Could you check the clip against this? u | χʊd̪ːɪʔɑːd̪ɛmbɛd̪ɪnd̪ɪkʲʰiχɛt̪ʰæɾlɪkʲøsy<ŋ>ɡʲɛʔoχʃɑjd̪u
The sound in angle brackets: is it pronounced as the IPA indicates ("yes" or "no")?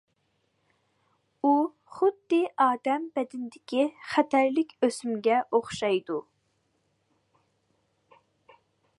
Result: no